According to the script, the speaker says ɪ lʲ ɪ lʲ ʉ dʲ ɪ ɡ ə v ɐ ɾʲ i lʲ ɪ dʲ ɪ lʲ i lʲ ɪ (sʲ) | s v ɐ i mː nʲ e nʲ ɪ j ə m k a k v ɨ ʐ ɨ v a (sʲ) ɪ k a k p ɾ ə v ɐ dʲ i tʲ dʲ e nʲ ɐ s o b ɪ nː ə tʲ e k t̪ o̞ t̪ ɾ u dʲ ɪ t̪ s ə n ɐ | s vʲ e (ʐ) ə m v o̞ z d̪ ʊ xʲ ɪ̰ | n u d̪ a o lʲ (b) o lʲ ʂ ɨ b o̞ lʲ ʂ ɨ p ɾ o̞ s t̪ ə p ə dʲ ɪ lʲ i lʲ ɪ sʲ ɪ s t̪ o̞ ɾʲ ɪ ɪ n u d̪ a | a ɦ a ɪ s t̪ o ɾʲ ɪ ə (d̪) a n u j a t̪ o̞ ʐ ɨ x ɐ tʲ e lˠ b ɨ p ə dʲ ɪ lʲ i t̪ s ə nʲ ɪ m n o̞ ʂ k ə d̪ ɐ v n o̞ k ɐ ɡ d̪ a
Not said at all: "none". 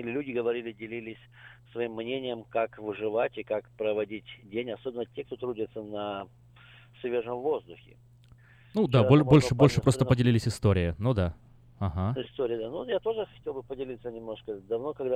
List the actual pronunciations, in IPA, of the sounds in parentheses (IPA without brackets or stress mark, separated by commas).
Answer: sʲ, tʲ, ʐ, b, d̪